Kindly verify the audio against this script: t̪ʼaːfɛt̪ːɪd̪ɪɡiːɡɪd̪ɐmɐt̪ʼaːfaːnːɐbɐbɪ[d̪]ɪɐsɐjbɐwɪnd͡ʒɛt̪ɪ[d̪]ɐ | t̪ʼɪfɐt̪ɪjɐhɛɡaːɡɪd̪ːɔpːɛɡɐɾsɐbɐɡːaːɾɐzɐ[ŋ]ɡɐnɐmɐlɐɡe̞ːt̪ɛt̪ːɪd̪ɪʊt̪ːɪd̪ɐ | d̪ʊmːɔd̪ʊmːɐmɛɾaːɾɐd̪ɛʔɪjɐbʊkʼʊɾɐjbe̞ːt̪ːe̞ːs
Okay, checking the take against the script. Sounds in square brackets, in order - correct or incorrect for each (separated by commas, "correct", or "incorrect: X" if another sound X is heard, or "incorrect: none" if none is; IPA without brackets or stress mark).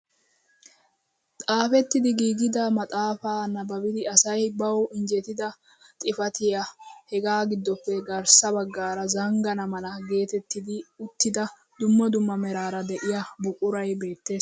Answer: correct, correct, correct